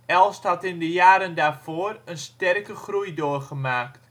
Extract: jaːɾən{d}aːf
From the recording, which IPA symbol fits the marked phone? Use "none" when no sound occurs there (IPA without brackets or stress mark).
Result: d